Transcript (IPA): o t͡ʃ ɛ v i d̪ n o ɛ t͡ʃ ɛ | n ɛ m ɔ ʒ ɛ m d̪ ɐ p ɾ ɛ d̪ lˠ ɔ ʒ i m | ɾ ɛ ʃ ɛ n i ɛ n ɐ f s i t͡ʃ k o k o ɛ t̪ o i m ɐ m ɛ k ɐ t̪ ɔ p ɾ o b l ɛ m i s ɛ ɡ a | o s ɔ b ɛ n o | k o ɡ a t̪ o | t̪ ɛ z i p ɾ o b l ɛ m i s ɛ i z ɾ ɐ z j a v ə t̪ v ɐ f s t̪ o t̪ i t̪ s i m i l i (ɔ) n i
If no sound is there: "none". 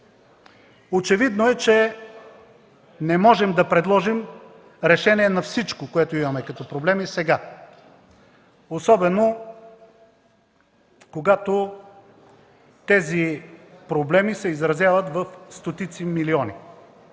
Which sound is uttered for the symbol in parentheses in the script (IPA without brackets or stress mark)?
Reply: ɔ